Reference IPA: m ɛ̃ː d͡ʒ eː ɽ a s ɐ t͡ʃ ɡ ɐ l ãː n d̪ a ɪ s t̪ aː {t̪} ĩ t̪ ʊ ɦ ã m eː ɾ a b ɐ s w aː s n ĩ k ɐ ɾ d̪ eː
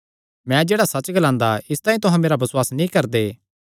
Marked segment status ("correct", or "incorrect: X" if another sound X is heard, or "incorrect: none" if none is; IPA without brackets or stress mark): incorrect: none